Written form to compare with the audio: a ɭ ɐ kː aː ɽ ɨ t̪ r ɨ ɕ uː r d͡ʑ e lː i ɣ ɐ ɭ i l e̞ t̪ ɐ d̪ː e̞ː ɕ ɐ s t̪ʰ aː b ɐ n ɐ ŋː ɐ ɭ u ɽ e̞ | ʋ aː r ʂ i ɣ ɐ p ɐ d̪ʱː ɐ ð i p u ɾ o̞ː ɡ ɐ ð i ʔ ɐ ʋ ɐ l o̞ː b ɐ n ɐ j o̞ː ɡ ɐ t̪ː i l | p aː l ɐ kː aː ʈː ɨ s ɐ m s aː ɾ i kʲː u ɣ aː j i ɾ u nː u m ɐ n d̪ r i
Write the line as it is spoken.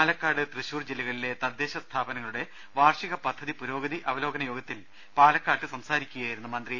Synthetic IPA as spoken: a l ɐ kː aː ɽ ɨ t̪ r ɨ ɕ uː r d͡ʑ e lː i ɣ ɐ ɭ i l e̞ t̪ ɐ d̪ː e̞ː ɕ ɐ s t̪ʰ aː b ɐ n ɐ ŋː ɐ ɭ u ɽ e̞ | ʋ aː r ʂ i ɣ ɐ p ɐ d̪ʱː ɐ ð i p u ɾ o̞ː ɡ ɐ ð i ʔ ɐ ʋ ɐ l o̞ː ɡ ɐ n ɐ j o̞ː ɡ ɐ t̪ː i l | p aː l ɐ kː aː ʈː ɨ s ɐ m s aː ɾ i kʲː u ɣ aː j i ɾ u nː u m ɐ n d̪ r i